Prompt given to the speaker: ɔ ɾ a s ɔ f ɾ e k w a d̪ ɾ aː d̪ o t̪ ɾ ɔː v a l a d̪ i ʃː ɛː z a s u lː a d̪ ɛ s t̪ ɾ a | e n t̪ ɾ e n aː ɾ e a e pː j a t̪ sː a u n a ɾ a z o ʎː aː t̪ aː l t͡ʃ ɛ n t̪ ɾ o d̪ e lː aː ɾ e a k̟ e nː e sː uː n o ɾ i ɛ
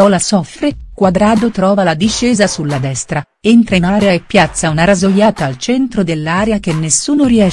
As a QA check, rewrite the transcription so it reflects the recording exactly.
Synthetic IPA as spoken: ɔ l a s ɔ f ɾ e k w a d̪ ɾ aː d̪ o t̪ ɾ ɔː v a l a d̪ i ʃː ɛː z a s u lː a d̪ ɛ s t̪ ɾ a | e n t̪ ɾ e n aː ɾ e a e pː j a t̪ sː a u n a ɾ a z o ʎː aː t̪ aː l t͡ʃ ɛ n t̪ ɾ o d̪ e lː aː ɾ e a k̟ e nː e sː uː n o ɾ i ɛ

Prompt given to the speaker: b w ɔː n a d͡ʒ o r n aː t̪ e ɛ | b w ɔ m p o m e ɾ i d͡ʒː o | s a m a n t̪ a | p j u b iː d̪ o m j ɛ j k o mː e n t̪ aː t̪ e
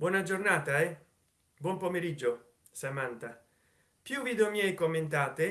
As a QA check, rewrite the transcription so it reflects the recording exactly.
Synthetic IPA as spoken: b w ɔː n a d͡ʒ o r n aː t̪ a ɛ | b w ɔ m p o m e ɾ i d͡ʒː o | s a m a n t̪ a | p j u v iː d̪ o m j ɛ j k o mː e n t̪ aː t̪ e

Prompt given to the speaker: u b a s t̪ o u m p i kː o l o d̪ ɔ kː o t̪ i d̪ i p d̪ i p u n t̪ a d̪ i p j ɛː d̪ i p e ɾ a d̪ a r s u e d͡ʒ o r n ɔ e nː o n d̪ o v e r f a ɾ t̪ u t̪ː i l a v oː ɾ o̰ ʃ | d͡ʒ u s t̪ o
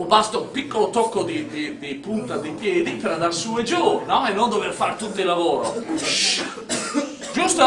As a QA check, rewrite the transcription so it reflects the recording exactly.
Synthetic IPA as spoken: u b a s t̪ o u m p i kː o l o t̪ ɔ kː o d̪ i d̪ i d̪ i p u n t̪ a d̪ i p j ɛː d̪ i p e ɾ a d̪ a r s u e d͡ʒ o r n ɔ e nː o n d̪ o v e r f a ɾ t̪ u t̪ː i l a v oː ɾ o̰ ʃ | d͡ʒ u s t̪ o

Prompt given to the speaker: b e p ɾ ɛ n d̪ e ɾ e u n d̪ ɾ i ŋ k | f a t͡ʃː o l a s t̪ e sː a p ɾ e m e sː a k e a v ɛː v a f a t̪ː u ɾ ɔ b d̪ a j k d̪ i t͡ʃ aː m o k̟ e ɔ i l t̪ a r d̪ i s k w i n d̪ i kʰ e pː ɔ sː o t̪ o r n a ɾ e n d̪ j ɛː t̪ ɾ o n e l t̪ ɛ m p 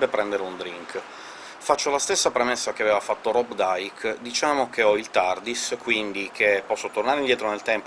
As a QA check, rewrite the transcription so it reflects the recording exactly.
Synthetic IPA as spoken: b e p ɾ ɛ n d̪ e ɾ e u n d̪ ɾ i ŋ k | f a t͡ʃː o l a s t̪ e sː a p ɾ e m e sː a k e a v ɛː v a f a t̪ː o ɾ ɔ b d̪ a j k d̪ i t͡ʃ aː m o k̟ e ɔ i l t̪ a r d̪ i s k w i n d̪ i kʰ e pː ɔ sː o t̪ o r n a ɾ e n d̪ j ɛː t̪ ɾ o n e l t̪ ɛ m p

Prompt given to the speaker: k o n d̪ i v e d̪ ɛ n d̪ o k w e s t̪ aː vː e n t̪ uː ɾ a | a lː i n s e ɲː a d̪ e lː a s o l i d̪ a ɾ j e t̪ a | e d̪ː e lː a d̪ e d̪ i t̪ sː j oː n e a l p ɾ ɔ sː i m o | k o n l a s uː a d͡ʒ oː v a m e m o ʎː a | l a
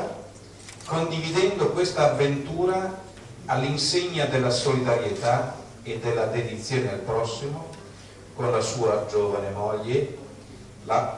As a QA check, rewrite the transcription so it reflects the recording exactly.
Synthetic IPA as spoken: k o n d̪ i v i d̪ ɛ n d̪ o k w e s t̪ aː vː e n t̪ uː ɾ a | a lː i n s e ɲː a d̪ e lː a s o l i d̪ a ɾ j e t̪ a | e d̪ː e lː a d̪ e d̪ i t̪ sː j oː n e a l p ɾ ɔ sː i m o | k o n l a s uː a d͡ʒ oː v a n e m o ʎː e | l a

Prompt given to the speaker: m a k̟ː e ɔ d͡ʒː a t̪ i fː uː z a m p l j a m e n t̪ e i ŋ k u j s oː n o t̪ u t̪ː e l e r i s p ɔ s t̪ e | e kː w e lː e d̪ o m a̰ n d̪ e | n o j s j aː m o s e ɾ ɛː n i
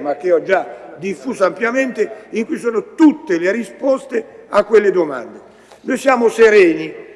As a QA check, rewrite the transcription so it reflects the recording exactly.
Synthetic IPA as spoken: m a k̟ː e ɔ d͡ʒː a d̪ i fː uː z a m p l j a m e n t̪ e i ŋ k u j s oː n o t̪ u t̪ː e l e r i s p ɔ s t̪ e | a kː w e lː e d̪ o m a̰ n d̪ e | n o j s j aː m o s e ɾ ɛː n i

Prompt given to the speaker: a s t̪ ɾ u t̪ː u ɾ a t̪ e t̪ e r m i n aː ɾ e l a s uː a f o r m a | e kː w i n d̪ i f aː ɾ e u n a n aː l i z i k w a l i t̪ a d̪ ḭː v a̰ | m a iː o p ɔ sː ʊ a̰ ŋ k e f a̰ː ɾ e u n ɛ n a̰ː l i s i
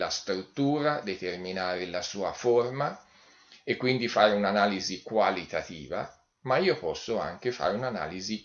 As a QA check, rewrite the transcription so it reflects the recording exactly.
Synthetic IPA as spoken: a s t̪ ɾ u t̪ː uː ɾ a d̪ e t̪ e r m i n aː ɾ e l a s uː a f o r m a | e kː w i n d̪ i f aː ɾ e u n a n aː l i z i k w a l i t̪ a t̪ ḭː v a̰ | m a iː o p ɔ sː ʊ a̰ ŋ k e f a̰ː ɾ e u n a n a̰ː l i z i

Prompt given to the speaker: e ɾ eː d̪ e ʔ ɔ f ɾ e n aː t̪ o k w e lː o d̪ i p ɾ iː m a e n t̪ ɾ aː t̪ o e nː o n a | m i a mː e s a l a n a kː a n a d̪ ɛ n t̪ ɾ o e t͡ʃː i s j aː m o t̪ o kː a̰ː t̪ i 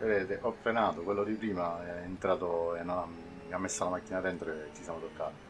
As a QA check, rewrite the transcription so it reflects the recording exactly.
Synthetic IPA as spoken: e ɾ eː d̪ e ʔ ɔ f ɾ e n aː t̪ o k w e lː o d̪ i p ɾ iː m a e n t̪ ɾ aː t̪ o e nː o n a | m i a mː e sː a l a m a kː i n a d̪ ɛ n t̪ ɾ o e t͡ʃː i s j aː m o t̪ o kː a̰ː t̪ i

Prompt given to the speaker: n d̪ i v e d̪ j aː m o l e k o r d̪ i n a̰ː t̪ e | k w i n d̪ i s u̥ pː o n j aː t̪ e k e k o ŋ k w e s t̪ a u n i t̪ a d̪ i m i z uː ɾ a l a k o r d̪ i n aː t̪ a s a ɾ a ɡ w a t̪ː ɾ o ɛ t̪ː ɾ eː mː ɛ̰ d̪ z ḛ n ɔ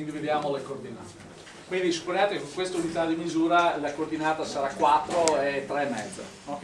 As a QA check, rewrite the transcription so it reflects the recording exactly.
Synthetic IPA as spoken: n d̪ i v e d̪ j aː m o l e k o r d̪ i n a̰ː t̪ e | k w i n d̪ i s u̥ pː o n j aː t̪ e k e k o ŋ k w e s t̪ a u n i t̪ a d̪ i m i z uː ɾ a l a k o r d̪ i n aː t̪ a s a ɾ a k w a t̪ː ɾ o ɛ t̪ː ɾ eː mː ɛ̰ d̪ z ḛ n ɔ

